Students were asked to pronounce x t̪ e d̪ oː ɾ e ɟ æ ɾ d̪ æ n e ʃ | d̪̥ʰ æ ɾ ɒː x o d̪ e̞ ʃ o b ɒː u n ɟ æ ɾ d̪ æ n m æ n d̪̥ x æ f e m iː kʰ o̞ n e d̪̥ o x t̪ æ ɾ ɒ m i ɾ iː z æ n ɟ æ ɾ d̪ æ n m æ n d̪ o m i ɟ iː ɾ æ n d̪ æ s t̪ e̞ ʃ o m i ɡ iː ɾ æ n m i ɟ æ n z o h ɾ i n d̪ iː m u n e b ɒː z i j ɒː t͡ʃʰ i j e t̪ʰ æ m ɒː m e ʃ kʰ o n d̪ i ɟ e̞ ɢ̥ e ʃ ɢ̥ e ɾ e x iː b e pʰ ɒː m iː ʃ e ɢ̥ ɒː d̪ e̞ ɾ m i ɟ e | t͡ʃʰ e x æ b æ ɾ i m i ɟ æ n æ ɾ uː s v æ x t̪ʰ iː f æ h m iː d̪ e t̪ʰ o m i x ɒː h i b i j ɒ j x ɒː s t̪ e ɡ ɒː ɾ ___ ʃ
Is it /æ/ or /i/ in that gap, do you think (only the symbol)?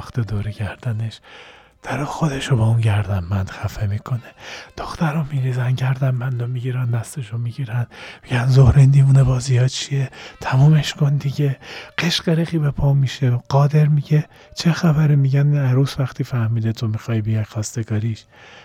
i